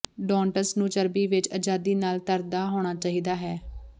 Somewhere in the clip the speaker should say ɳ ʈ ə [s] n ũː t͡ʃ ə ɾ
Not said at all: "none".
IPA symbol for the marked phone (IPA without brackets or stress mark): s